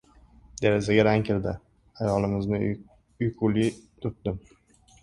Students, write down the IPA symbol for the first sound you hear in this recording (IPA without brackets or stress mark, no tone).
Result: d̪